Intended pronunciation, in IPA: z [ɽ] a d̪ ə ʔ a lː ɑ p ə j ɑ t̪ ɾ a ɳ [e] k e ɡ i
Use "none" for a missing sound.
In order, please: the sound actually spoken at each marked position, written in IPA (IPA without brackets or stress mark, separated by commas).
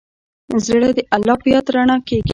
ɽ, a